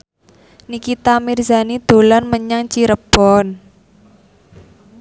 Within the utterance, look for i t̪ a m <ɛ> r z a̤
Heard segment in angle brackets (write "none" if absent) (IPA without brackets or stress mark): i